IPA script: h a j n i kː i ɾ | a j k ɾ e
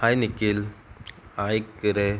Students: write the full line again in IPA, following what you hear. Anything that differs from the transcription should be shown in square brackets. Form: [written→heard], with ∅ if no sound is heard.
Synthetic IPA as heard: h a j n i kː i [ɾ→l] | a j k ɾ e

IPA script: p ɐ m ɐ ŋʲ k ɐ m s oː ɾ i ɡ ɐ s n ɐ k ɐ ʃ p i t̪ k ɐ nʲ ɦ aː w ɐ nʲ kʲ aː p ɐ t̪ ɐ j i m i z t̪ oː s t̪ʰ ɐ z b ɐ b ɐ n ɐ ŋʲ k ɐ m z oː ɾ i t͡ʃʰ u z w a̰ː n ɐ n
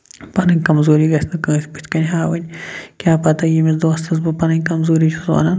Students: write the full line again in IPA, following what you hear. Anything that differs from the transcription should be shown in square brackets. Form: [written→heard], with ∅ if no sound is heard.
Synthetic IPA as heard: p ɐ [m→n] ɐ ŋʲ k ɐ m [s→z] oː ɾ i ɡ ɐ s n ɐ k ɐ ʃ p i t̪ k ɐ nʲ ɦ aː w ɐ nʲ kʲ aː p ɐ t̪ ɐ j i m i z [t̪→d̪] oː s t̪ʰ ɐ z b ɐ [b→p] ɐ n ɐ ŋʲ k ɐ m z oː ɾ i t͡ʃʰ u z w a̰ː n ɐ n

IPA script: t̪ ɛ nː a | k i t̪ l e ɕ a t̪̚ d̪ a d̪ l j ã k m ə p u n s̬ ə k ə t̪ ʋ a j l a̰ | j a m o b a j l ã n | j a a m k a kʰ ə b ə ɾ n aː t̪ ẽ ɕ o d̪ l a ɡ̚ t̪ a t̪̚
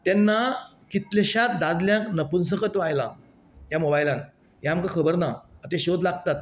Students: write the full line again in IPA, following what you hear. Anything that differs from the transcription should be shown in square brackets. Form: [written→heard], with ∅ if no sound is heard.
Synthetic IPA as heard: t̪ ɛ nː a | k i t̪ l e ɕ a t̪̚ d̪ a d̪ l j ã k [m→n] ə p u n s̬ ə k ə t̪ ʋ a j l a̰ | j a m o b a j l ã n | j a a m k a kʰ ə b ə ɾ n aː t̪ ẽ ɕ o d̪ l a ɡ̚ t̪ a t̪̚

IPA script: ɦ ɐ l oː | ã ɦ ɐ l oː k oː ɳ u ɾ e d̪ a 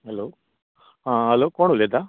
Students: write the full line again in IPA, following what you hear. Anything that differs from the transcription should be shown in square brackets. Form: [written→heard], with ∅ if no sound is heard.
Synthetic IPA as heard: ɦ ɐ l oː | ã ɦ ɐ l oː k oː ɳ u [ɾ→l] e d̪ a

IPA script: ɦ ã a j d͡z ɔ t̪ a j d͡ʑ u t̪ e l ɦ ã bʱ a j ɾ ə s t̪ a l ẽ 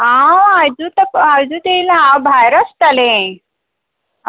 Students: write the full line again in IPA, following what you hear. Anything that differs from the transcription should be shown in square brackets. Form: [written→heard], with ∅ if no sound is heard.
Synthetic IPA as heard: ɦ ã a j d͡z [ɔ→u] t̪ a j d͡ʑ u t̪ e l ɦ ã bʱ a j ɾ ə s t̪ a l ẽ

